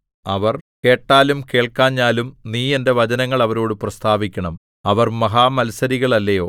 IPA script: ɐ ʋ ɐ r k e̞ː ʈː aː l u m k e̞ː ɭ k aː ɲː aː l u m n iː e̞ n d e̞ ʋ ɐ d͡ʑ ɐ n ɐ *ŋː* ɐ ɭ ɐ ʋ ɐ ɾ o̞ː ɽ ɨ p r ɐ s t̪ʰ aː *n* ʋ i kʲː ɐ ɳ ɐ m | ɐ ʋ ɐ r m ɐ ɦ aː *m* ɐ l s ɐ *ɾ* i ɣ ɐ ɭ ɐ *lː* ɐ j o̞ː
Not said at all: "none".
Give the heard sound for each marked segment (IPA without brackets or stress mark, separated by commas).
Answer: ŋː, none, m, ɾ, lː